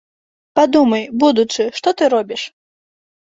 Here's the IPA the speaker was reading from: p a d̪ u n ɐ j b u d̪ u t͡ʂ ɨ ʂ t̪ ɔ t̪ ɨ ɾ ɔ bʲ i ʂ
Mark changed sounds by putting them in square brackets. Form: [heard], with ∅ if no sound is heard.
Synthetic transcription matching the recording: p a d̪ u [m] ɐ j b u d̪ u t͡ʂ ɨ ʂ t̪ ɔ t̪ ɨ ɾ ɔ bʲ i ʂ